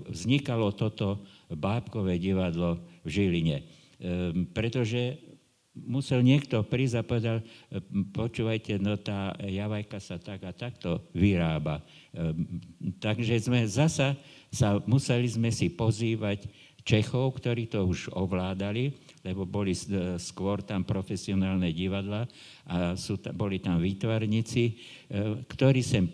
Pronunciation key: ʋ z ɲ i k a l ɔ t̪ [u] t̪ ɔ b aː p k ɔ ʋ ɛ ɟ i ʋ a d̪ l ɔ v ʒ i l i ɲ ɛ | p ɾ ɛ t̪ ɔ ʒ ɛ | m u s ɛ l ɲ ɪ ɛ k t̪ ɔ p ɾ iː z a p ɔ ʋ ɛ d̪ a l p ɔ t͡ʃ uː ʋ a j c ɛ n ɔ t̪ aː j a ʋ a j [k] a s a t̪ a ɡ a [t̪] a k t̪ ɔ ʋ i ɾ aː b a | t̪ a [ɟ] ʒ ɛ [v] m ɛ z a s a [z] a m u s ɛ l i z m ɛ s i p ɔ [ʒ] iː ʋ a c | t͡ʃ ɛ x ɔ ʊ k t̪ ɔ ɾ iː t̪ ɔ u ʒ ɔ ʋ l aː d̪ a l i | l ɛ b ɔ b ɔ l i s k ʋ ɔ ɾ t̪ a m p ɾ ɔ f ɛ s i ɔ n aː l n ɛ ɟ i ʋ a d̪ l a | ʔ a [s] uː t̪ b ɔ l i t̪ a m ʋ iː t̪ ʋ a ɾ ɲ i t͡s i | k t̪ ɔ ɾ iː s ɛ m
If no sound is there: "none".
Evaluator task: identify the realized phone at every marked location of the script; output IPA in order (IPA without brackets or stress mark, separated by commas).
ɔ, k, t̪, ɡ, z, s, z, s